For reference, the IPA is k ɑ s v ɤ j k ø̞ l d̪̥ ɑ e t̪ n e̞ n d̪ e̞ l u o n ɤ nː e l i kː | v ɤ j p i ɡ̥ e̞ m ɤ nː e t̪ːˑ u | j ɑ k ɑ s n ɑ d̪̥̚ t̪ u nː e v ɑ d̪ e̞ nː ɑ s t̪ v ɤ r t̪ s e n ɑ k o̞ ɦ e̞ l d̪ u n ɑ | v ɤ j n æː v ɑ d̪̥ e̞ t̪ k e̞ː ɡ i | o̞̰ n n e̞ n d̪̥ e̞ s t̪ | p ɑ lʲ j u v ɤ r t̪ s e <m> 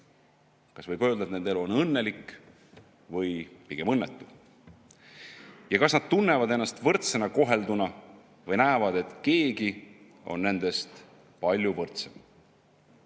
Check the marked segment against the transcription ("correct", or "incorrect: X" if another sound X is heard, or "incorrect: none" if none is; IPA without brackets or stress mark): correct